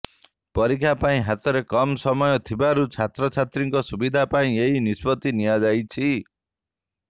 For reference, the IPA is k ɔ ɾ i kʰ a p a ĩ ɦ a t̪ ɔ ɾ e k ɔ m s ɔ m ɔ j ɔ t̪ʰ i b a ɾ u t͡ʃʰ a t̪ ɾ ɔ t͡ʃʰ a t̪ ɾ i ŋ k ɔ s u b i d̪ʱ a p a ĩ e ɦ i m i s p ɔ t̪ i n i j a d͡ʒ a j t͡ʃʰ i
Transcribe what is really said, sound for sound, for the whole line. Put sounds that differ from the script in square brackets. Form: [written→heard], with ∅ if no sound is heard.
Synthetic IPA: [k→p] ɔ ɾ i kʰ a p a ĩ ɦ a t̪ ɔ ɾ e k ɔ m s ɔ m ɔ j ɔ t̪ʰ i b a ɾ u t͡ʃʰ a t̪ ɾ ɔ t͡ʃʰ a t̪ ɾ i ŋ k ɔ s u b i d̪ʱ a p a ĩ e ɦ i [m→n] i s p ɔ t̪ i n i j a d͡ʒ a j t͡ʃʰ i